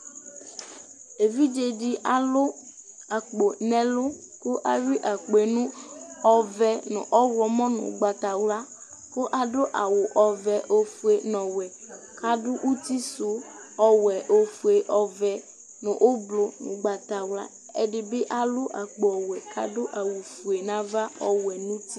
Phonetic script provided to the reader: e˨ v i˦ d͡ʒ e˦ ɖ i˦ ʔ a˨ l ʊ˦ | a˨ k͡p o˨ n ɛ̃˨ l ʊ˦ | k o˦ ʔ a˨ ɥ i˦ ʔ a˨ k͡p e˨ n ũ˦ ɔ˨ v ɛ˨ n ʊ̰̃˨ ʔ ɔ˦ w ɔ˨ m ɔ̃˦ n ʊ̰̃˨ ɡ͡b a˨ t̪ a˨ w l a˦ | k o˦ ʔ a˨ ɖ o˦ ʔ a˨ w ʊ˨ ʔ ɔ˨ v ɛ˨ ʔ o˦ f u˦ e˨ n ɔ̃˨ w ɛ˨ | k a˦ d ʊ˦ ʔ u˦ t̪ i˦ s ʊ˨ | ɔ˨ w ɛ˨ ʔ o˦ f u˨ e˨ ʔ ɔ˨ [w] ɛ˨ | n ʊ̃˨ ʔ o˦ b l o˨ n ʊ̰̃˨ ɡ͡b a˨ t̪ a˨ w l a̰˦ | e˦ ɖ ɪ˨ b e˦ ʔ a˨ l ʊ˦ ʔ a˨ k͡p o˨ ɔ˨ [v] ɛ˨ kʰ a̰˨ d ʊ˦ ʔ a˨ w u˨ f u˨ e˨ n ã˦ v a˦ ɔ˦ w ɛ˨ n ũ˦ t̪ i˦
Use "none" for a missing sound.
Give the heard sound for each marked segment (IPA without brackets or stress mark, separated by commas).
v, w